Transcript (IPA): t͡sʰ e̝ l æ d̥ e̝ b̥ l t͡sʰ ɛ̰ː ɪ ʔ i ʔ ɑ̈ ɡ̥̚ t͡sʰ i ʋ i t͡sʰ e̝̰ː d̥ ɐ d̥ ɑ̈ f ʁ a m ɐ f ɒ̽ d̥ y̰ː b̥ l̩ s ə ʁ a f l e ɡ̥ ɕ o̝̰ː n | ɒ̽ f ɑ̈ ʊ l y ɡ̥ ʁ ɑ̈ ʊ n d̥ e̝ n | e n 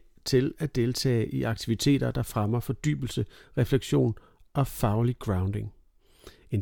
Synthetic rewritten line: t͡sʰ e̝ l æ d̥ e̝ l t͡sʰ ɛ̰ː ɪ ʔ i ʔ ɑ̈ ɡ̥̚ t͡sʰ i ʋ i t͡sʰ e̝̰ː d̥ ɐ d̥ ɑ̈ f ʁ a m ɐ f ɒ̽ d̥ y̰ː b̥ l̩ s ə ʁ ɛ f l e ɡ̥ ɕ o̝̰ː n | ɒ̽ f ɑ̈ ʊ l i ɡ̥ ʁ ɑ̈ ʊ n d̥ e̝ ŋ | e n